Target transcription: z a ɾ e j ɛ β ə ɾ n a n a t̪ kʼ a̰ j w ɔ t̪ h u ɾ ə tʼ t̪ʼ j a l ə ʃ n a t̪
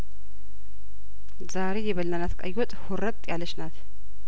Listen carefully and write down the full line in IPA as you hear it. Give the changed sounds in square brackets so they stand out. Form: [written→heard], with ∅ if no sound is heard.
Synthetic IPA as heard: z a ɾ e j ɛ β ə [ɾ→l] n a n a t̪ kʼ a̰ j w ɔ [t̪→t̪ʼ] h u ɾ ə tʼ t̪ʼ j a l ə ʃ n a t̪